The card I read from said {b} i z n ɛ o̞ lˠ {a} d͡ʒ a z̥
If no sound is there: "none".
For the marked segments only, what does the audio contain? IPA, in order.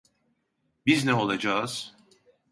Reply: b, a

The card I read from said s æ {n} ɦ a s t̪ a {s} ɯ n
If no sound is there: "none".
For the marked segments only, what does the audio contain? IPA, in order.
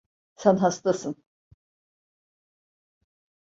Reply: n, s

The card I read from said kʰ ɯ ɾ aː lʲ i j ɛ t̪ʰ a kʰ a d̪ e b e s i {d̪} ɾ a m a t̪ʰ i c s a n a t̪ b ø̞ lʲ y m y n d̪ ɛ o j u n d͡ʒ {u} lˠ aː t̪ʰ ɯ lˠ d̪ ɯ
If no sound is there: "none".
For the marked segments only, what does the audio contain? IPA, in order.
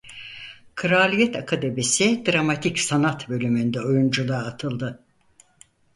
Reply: d̪, u

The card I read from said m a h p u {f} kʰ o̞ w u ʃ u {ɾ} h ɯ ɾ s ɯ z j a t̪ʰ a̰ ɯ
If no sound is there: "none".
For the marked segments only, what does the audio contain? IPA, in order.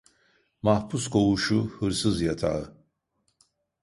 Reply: s, none

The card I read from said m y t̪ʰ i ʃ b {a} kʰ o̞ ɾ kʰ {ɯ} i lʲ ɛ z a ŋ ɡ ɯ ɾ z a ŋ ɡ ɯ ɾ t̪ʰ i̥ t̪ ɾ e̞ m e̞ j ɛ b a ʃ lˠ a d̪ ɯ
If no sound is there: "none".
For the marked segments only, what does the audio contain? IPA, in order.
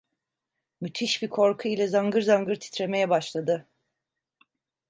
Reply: i, u

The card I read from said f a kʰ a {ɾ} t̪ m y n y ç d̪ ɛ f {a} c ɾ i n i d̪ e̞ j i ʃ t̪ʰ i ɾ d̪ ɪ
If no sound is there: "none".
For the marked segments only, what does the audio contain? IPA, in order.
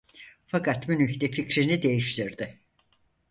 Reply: none, i

